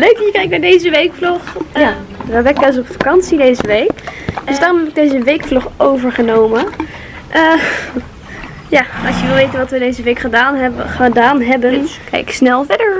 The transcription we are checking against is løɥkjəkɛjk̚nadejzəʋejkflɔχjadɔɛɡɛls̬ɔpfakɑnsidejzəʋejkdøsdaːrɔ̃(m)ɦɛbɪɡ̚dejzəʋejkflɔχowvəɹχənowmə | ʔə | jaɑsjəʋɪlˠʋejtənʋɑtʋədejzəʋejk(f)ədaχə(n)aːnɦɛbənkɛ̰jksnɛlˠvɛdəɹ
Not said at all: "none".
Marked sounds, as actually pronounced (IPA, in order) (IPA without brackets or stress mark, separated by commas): m, χ, d